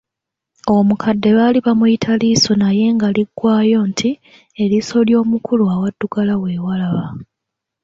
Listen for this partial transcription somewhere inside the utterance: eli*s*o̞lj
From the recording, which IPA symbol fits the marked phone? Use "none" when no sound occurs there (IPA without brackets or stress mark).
s